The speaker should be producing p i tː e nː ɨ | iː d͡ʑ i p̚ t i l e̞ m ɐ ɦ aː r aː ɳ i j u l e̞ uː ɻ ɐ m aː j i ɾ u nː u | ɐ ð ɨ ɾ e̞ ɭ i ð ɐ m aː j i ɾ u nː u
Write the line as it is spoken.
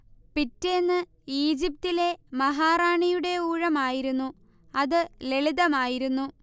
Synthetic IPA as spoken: p i tː e nː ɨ | iː d͡ʑ i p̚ t i l e̞ m ɐ ɦ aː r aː ɳ i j u ɽ e̞ uː ɻ ɐ m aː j i ɾ u nː u | ɐ ð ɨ l e̞ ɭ i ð ɐ m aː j i ɾ u nː u

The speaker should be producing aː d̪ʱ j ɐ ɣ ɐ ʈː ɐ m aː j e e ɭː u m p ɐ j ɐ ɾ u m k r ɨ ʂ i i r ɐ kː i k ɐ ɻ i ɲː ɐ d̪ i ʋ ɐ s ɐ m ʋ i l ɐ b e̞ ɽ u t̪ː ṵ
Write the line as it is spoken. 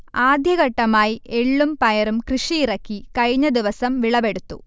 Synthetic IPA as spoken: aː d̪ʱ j ɐ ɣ ɐ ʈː ɐ m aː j i e ɭː u m p ɐ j ɐ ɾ u m k r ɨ ʂ i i r ɐ kː i k ɐ ɻ i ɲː ɐ d̪ i ʋ ɐ s ɐ m ʋ i ɭ ɐ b e̞ ɽ u t̪ː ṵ

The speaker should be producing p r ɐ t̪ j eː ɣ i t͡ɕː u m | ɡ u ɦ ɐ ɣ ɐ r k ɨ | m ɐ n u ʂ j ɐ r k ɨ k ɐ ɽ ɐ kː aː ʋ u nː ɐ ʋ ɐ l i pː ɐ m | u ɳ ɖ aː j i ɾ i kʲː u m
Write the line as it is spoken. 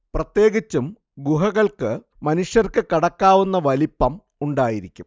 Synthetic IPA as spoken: p r ɐ t̪ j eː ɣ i t͡ɕː u m | ɡ u ɦ ɐ ɣ ɐ ɭ k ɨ | m ɐ n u ʂ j ɐ r k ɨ k ɐ ɽ ɐ kː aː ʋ u nː ɐ ʋ ɐ l i pː ɐ m | u ɳ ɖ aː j i ɾ i kʲː u m

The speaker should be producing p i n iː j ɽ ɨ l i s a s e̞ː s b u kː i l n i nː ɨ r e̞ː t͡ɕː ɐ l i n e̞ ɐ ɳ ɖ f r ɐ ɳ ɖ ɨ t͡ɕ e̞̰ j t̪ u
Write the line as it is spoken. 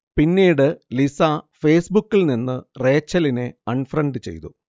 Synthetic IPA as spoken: p i nː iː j ɽ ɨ l i s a f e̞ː s b u kː i l n i nː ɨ r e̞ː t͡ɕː ɐ l i n e̞ ɐ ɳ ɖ f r ɐ ɳ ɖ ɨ t͡ɕ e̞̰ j t̪ u

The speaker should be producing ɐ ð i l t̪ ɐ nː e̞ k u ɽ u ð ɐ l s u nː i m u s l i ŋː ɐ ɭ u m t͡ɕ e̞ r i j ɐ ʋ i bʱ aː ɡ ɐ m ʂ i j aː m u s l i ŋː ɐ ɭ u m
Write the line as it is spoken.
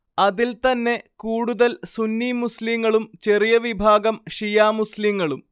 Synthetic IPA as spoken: ɐ ð i l t̪ ɐ nː e̞ k uː ɽ u ð ɐ l s u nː i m u s l i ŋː ɐ ɭ u m t͡ɕ e̞ r i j ɐ ʋ i bʱ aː ɡ ɐ m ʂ i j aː m u s l i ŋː ɐ ɭ u m

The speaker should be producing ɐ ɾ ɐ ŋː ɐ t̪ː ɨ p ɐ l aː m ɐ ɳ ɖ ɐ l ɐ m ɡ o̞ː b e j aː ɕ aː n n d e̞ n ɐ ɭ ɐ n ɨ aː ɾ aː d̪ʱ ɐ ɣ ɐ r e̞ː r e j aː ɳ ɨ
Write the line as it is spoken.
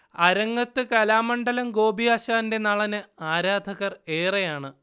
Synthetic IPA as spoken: ɐ ɾ ɐ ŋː ɐ t̪ː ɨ k ɐ l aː m ɐ ɳ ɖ ɐ l ɐ m ɡ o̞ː b i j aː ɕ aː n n d e̞ n ɐ ɭ ɐ n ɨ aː ɾ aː d̪ʱ ɐ ɣ ɐ r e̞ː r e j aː ɳ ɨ

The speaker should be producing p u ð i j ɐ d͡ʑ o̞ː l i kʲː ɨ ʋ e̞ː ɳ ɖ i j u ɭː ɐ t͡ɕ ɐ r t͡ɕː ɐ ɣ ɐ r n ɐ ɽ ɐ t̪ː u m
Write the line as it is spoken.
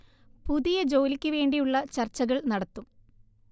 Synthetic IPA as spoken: p u ð i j ɐ d͡ʑ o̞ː l i kʲː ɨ ʋ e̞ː ɳ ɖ i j u ɭː ɐ t͡ɕ ɐ r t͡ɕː ɐ ɣ ɐ ɭ n ɐ ɽ ɐ t̪ː u m

